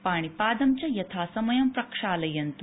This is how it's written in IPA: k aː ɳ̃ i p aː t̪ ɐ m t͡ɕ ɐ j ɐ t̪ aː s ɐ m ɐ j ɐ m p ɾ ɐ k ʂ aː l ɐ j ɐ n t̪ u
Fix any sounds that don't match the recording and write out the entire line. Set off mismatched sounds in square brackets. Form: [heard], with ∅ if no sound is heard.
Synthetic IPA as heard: [p] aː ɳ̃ i p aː [d̪] ɐ m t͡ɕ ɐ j ɐ [t̪ʰ] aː s ɐ m ɐ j ɐ m p ɾ ɐ k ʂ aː l ɐ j ɐ n t̪ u